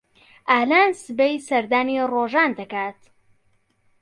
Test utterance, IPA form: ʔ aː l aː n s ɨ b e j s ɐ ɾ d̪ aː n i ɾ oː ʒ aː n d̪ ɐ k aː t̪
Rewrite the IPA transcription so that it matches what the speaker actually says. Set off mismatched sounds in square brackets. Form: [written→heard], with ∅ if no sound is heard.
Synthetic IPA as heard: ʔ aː l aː n s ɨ b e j s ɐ ɾ d̪ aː n i [ɾ→r] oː ʒ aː n d̪ ɐ k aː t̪